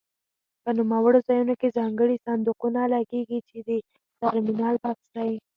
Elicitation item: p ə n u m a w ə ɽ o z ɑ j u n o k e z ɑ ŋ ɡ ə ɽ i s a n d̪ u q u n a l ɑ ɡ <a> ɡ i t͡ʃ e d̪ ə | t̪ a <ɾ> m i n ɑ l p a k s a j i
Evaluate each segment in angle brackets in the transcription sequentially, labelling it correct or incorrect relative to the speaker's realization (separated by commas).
incorrect, correct